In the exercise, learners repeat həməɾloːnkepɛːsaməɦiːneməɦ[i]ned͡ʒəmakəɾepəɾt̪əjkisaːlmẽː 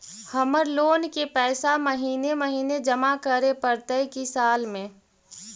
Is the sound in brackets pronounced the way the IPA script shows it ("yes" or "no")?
no